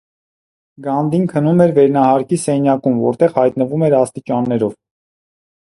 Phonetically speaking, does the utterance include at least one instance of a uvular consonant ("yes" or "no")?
yes